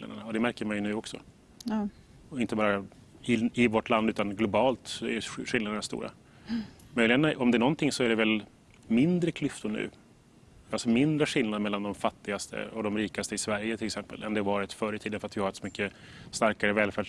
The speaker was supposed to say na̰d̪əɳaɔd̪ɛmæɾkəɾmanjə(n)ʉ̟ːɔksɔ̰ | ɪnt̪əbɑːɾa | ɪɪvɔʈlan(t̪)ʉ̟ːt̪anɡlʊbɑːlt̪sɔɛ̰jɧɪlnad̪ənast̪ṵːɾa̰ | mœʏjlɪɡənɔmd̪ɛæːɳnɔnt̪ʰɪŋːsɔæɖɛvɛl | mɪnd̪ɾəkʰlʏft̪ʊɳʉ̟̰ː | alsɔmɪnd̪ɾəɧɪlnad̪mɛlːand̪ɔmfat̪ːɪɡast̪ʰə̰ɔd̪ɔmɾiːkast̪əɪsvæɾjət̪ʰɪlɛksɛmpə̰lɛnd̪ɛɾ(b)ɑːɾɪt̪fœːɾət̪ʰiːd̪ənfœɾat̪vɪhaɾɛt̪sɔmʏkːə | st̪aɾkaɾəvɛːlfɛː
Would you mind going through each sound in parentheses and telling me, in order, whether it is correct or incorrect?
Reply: correct, incorrect, incorrect

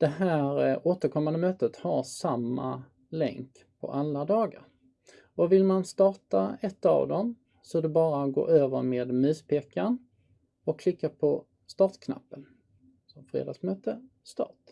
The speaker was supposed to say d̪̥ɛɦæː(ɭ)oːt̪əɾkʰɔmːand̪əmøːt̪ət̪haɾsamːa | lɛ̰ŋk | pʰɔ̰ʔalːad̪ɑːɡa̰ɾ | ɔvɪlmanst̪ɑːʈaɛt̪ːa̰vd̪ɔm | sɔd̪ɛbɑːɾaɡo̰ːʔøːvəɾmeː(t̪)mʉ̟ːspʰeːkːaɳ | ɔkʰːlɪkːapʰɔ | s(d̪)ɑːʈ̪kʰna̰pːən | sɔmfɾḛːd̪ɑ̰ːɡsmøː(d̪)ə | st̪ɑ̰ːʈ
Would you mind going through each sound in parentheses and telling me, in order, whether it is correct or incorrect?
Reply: incorrect, incorrect, incorrect, incorrect

